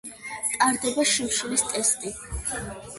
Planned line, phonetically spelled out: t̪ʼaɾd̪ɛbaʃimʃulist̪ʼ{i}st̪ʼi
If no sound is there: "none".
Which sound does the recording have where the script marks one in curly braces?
ɛ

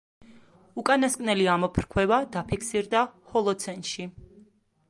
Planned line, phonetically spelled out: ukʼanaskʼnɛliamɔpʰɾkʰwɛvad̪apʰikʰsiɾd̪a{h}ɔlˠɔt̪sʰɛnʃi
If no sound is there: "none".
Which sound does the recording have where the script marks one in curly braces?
h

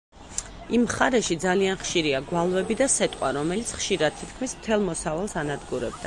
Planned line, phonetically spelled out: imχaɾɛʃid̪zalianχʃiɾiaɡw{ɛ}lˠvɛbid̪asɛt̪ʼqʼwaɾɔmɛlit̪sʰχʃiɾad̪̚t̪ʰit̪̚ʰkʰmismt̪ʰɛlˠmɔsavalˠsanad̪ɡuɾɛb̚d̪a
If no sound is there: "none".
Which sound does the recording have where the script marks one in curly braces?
a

